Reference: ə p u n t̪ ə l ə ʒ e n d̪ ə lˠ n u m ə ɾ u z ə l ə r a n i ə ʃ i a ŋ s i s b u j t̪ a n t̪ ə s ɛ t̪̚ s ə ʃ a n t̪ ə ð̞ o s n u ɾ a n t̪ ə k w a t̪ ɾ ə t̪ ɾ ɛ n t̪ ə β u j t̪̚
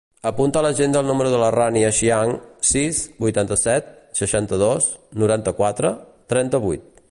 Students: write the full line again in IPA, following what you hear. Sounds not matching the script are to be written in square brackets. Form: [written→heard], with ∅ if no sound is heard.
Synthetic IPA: ə p u n t̪ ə l ə ʒ e n d̪ ə lˠ n u m ə ɾ u [z→ð] ə l ə r a n i ə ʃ i a ŋ s i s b u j t̪ a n t̪ ə s ɛ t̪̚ s ə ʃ a n t̪ ə ð̞ o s n u ɾ a n t̪ ə k w a t̪ ɾ ə t̪ ɾ ɛ n t̪ ə β u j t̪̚